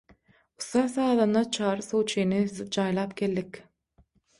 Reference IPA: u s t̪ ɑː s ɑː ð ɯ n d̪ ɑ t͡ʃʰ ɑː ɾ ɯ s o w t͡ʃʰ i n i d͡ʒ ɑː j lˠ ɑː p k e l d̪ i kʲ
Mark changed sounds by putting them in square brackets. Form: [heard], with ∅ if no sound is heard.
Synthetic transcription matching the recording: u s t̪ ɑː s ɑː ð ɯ n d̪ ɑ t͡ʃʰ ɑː ɾ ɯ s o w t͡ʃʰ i n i d͡ʒ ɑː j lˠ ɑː p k e l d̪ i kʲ